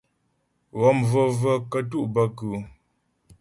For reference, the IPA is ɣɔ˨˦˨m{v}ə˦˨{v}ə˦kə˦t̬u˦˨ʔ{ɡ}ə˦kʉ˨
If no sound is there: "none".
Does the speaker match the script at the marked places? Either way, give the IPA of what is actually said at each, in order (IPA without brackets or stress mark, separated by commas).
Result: v, v, b